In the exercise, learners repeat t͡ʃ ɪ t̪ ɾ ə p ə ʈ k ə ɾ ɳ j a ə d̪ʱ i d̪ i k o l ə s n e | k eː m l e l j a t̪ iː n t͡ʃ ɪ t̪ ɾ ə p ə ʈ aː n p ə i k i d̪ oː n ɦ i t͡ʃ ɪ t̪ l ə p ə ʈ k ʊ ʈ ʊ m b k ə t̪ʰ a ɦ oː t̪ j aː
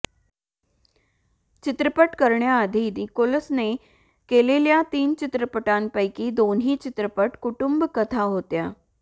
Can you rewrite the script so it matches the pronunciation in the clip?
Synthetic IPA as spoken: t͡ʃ ɪ t̪ ɾ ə p ə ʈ k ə ɾ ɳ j a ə d̪ʱ i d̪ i k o l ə s n e | k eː l e l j a t̪ iː n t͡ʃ ɪ t̪ ɾ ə p ə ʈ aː n p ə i k i d̪ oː n ɦ i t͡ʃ ɪ t̪ ɾ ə p ə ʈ k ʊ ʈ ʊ m b k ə t̪ʰ a ɦ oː t̪ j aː